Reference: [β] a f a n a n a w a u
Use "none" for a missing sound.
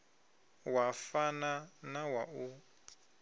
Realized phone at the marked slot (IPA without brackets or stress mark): w